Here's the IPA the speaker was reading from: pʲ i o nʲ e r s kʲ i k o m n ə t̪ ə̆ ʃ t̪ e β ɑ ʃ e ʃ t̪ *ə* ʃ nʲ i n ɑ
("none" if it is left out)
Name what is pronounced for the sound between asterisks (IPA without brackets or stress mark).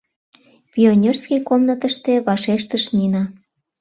ə